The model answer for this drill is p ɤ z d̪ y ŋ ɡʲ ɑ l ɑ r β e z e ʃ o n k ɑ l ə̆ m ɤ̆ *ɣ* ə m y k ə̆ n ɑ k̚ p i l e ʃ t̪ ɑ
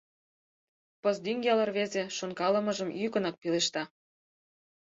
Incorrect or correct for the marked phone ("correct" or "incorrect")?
incorrect